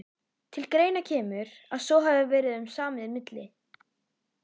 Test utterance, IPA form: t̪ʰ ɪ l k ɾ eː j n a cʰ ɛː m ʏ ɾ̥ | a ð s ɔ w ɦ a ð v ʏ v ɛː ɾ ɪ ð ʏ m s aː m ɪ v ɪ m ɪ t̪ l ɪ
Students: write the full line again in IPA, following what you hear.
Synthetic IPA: t̪ʰ ɪ l k ɾ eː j n a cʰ ɛː m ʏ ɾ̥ | a ð s ɔ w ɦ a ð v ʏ v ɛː ɾ ɪ ð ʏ m s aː m ɪ ð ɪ m ɪ t̪ l ɪ